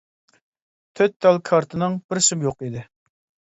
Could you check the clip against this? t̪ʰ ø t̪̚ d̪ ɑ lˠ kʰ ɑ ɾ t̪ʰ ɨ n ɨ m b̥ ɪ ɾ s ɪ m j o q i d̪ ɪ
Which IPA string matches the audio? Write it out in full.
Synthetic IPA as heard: t̪ʰ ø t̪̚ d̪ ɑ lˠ kʰ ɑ ɾ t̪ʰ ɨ n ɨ ŋ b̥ ɪ ɾ s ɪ m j o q i d̪ ɪ

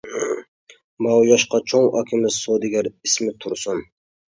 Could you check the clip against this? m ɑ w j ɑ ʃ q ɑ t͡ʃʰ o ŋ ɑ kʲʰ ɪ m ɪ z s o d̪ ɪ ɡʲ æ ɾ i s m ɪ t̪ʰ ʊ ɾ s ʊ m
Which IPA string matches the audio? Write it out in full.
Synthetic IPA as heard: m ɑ w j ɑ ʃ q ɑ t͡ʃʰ o ŋ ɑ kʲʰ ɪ m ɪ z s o d̪ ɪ ɡʲ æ ɾ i s m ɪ t̪ʰ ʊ ɾ s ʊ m

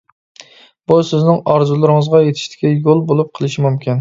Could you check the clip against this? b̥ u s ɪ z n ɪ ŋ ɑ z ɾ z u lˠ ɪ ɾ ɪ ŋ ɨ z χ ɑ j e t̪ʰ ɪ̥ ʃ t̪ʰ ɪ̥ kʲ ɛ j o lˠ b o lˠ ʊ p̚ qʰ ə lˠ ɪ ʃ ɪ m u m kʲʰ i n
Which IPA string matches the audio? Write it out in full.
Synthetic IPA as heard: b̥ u s ɪ z n ɪ ŋ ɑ ɾ z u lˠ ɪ ɾ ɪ ŋ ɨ z ʁ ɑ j e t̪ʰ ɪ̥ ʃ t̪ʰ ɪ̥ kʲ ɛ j o lˠ b o lˠ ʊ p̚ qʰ ə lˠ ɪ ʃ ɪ m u m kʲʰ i n

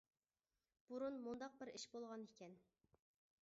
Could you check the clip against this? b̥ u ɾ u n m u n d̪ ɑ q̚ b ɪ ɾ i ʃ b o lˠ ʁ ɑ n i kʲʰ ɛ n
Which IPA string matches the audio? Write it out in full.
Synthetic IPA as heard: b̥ u ɾ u n m u n d̪ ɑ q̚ b ɪ ɾ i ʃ b o lˠ ʁ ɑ n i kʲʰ ɛ n

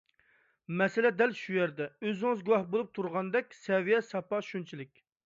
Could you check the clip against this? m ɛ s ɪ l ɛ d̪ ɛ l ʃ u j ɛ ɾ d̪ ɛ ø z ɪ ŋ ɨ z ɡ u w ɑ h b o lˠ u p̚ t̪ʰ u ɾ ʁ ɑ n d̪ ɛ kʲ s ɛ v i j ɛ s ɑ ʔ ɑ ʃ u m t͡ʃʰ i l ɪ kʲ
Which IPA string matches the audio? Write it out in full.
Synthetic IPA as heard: m ɛ s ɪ l ɛ d̪ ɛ l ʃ u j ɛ ɾ d̪ ɛ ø z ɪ ŋ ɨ z ɡ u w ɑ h b o lˠ u p̚ t̪ʰ u ɾ ʁ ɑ n d̪ ɛ kʲ s ɛ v i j ɛ s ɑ p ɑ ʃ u n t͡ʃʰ i l ɪ kʲ

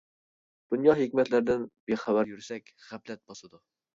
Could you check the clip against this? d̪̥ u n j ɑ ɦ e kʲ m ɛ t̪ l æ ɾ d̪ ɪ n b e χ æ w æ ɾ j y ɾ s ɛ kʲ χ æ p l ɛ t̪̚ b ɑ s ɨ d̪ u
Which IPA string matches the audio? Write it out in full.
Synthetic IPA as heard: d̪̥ u n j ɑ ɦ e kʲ m ɛ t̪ l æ ɾ d̪ ɪ n b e χ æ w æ ɾ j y ɾ s ɛ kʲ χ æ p l ɛ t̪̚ b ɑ s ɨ d̪ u

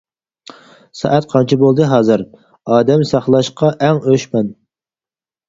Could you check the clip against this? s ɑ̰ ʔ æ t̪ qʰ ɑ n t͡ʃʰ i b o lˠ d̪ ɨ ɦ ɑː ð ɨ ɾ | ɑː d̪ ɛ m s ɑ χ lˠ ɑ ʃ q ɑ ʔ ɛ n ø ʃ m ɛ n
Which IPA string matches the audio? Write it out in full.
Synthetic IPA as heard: s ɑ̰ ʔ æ t̪ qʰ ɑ n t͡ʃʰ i b o lˠ d̪ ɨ ɦ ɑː z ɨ ɾ | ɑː d̪ ɛ m s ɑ χ lˠ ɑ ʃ q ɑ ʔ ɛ ŋ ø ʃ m ɛ n

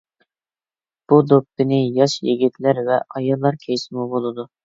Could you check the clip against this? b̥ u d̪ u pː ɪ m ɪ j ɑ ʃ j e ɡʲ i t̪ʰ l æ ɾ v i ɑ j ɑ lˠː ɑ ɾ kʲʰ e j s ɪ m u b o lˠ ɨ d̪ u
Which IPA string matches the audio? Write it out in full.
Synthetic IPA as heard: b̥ u d̪ o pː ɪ n ɪ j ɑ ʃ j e ɡʲ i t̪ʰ l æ ɾ v ɛ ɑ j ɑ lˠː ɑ ɾ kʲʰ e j s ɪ m u b o lˠ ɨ d̪ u

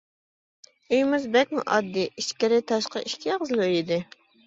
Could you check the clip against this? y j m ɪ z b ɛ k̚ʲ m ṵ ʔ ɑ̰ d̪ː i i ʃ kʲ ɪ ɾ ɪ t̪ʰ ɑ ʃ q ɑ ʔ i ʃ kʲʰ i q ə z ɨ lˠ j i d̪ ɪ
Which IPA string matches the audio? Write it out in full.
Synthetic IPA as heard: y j m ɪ z b ɛ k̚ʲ m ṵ ʔ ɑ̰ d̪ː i i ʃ kʲ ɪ ɾ ɪ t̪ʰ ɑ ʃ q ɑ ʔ i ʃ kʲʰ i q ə z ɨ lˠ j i d̪ ɪ

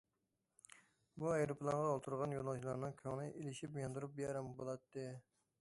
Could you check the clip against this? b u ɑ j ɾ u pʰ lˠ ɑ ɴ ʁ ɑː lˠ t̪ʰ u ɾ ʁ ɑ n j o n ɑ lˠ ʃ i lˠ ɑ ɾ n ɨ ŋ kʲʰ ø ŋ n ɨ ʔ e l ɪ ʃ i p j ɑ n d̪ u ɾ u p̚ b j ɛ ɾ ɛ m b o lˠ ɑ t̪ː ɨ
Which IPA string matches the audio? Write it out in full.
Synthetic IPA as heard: b u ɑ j ɾ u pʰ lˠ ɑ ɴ ʁ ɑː lˠ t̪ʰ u ɾ ʁ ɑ n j o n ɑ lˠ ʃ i lˠ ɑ ɾ n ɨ ŋ kʲʰ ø ŋ n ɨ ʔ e l ɪ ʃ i p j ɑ n d̪ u ɾ u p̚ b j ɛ ɾ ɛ m b o lˠ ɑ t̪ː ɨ

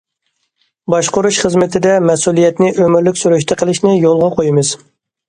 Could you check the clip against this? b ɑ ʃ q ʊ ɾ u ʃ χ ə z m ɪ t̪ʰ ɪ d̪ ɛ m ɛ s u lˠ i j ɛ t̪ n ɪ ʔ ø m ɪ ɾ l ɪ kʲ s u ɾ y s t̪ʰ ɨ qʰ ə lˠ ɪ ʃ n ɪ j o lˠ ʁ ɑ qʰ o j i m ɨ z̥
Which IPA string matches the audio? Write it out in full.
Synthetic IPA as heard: b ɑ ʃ q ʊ ɾ u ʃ χ ə z m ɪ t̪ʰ ɪ d̪ ɛ m ɛ s u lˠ i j ɛ t̪ n ɪ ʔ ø m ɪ ɾ l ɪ kʲ s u ɾ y ʃ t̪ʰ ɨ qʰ ə lˠ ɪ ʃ n ɪ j o lˠ ʁ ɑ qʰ o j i m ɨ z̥

